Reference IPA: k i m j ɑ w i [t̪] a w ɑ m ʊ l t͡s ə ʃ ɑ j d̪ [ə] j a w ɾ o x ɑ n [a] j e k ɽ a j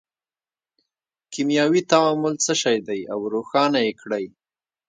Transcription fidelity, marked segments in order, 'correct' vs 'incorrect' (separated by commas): correct, incorrect, correct